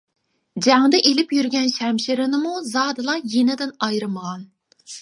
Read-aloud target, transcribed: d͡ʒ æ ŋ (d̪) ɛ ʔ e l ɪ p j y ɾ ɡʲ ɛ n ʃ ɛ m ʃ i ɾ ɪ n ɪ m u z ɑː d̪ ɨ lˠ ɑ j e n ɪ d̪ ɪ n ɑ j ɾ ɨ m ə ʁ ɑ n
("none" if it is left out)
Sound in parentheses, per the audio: d̪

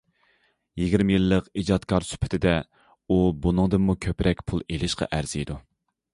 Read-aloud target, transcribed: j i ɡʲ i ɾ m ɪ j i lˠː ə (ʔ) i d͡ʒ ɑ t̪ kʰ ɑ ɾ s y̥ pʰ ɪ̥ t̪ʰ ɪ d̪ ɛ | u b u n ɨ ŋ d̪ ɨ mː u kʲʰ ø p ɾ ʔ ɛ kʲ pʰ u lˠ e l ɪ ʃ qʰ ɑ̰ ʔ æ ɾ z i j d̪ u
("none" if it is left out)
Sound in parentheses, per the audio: q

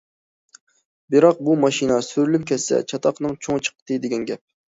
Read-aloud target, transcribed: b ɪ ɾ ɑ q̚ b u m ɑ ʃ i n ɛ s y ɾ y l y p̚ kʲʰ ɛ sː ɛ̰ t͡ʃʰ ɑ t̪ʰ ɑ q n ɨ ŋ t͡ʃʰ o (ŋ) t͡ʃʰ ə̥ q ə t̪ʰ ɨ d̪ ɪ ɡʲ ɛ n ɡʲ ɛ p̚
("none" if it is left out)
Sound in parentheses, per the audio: ŋ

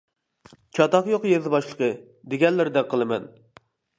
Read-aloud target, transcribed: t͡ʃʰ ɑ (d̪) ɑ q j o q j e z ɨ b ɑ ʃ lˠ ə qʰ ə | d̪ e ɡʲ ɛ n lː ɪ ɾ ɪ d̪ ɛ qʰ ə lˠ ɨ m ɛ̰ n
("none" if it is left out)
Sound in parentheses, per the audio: t̪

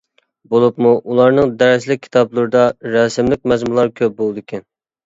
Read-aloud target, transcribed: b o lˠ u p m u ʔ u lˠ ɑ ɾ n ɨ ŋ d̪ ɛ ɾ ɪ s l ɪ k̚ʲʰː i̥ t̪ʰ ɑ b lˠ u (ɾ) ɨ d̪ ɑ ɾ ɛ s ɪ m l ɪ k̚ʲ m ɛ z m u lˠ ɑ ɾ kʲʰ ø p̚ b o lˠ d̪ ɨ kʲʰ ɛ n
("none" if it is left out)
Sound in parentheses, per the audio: ɾ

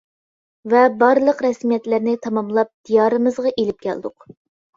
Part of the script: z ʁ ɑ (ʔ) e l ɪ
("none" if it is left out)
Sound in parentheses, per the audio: ʔ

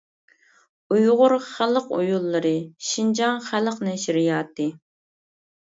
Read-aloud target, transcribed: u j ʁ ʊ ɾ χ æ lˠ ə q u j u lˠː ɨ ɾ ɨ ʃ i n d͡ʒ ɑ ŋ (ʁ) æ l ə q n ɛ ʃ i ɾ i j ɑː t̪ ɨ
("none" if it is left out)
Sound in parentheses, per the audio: χ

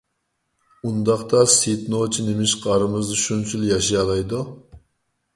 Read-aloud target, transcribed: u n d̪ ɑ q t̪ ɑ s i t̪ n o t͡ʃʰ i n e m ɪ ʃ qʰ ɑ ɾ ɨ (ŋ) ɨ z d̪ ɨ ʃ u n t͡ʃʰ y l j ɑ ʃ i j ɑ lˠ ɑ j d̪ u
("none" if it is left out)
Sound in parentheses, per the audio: m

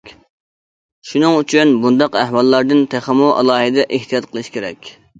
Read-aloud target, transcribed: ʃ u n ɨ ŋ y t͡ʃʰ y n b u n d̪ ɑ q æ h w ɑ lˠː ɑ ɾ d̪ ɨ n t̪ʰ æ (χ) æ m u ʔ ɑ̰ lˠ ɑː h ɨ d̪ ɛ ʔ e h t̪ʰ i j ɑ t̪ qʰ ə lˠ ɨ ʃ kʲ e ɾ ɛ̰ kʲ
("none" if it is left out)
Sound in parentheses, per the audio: χ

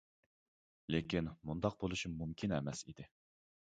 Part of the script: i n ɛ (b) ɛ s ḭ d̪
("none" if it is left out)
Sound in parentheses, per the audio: m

